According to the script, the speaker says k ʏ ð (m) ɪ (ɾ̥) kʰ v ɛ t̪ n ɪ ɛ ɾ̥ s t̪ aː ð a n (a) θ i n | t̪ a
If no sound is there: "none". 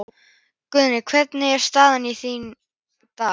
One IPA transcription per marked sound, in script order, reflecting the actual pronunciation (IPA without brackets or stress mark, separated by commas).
n, none, i